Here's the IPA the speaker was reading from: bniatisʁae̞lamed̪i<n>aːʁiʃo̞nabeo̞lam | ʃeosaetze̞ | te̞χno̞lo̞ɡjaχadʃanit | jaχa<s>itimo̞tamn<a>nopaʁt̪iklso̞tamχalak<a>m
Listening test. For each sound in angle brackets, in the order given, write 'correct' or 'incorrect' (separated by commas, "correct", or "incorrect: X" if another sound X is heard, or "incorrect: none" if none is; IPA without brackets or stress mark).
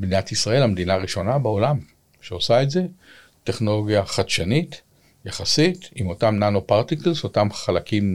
correct, correct, correct, incorrect: i